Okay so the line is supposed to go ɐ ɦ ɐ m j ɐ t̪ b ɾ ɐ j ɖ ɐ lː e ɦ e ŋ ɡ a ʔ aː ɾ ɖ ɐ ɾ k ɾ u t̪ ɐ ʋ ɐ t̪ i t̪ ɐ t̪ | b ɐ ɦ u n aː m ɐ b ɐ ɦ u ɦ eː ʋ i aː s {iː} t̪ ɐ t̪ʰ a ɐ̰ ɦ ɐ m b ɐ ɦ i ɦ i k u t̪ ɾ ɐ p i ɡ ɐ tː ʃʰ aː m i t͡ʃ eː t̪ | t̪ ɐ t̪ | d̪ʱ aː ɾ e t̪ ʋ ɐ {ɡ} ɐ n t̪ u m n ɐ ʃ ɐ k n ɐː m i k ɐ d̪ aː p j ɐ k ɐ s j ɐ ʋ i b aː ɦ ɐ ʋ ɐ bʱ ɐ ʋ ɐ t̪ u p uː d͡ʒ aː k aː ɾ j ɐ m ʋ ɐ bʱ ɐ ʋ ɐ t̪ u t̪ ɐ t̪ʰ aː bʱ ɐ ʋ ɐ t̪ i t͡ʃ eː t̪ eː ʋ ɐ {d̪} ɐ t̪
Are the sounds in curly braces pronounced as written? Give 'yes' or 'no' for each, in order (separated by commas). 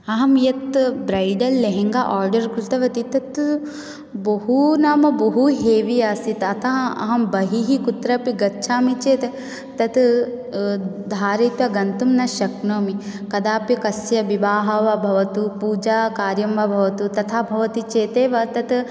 no, yes, no